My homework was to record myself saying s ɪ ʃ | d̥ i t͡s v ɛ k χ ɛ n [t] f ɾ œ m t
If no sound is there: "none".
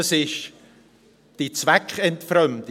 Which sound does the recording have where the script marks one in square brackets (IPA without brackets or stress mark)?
t